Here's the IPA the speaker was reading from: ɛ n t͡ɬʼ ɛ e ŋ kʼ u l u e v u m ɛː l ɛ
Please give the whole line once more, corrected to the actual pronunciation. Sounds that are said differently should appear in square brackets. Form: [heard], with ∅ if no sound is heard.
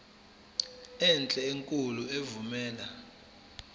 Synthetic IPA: ɛ n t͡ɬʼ ɛ e ŋ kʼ u l u e v u m ɛː l [a]